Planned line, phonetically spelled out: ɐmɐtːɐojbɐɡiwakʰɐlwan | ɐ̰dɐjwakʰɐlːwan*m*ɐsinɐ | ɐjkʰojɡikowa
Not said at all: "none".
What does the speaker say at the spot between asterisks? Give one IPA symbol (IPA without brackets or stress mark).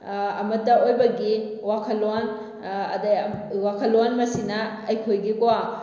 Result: m